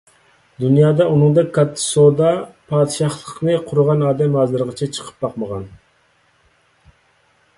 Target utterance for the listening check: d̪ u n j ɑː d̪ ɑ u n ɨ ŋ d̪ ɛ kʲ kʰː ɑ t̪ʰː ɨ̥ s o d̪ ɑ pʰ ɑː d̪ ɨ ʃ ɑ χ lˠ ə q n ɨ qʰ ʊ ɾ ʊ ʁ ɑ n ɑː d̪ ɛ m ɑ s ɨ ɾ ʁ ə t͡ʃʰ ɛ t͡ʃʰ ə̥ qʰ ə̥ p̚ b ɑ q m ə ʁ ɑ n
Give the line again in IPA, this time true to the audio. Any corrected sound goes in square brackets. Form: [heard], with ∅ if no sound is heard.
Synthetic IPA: d̪ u n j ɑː d̪ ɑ u n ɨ ŋ d̪ ɛ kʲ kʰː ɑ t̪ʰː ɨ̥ s o d̪ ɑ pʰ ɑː d̪ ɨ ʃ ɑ χ lˠ ə q n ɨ qʰ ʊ ɾ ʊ ʁ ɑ n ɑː d̪ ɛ m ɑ [z] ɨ ɾ ʁ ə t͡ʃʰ ɛ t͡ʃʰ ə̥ qʰ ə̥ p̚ b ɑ q m ə ʁ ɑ n